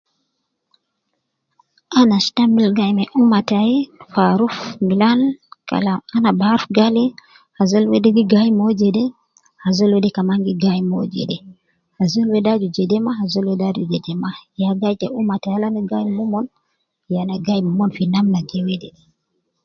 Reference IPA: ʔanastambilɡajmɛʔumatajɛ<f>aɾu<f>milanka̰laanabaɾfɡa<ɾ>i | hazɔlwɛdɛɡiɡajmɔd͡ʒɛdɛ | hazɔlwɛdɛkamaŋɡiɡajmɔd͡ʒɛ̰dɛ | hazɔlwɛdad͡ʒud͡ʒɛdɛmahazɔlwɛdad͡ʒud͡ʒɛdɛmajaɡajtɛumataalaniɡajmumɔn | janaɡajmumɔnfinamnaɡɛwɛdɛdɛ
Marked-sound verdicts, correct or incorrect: correct, correct, incorrect

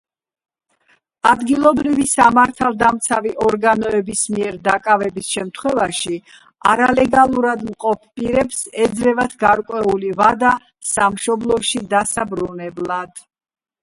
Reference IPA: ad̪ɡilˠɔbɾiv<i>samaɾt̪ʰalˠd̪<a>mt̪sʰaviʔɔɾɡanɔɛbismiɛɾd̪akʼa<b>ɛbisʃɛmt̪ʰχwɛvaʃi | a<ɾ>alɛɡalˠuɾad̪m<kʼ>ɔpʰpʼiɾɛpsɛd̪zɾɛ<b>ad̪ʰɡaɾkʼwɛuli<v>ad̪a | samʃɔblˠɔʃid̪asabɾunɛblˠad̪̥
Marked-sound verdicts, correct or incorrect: correct, correct, incorrect, correct, incorrect, incorrect, correct

